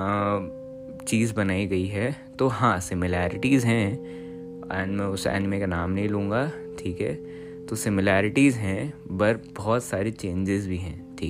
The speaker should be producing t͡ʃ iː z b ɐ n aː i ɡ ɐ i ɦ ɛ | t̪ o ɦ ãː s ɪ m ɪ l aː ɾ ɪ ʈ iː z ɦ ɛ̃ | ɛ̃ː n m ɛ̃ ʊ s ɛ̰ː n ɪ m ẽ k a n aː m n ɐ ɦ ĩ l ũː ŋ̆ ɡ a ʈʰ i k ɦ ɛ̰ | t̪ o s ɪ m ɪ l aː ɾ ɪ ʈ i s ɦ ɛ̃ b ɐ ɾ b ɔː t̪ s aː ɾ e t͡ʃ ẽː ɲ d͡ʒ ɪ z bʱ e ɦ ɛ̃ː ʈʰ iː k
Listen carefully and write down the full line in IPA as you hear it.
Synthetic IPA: t͡ʃ iː z b ɐ n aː i ɡ ɐ i ɦ ɛ | t̪ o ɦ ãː s ɪ m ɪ l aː ɾ ɪ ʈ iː z ɦ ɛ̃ | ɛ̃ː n m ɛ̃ ʊ s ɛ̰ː n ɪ m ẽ k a n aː m n ɐ ɦ ĩ l ũː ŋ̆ ɡ a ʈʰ iː k ɦ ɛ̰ | t̪ o s ɪ m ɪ l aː ɾ ɪ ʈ i z ɦ ɛ̃ b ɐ ɾ b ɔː t̪ s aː ɾ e t͡ʃ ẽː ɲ d͡ʒ ɪ z bʱ i ɦ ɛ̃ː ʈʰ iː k